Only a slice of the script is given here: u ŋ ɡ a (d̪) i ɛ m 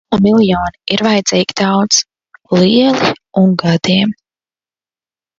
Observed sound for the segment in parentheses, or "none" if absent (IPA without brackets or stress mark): d̪